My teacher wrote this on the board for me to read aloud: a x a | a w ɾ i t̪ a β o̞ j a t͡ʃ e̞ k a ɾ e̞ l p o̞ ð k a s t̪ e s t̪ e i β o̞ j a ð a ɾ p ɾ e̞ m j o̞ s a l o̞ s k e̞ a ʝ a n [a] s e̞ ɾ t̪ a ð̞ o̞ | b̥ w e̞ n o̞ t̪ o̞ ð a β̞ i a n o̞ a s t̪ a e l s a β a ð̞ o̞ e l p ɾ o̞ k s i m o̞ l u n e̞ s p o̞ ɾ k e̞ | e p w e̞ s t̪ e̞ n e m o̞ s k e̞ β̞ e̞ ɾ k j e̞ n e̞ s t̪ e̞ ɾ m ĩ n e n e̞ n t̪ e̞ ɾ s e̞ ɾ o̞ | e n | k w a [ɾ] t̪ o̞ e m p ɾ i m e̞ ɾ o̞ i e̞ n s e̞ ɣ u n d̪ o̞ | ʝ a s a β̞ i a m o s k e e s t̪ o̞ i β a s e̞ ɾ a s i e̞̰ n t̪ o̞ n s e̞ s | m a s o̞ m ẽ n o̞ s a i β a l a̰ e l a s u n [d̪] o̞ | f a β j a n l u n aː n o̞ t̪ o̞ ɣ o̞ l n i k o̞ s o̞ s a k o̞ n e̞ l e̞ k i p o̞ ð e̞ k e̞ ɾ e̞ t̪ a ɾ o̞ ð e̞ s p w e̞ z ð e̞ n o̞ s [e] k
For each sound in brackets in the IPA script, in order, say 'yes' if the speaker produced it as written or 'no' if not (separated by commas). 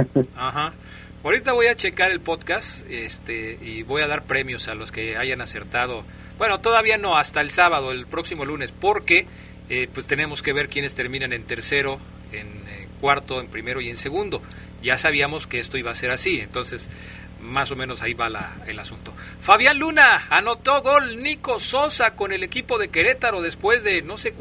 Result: yes, yes, no, yes